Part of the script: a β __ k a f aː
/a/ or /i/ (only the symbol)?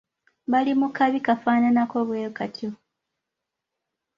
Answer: i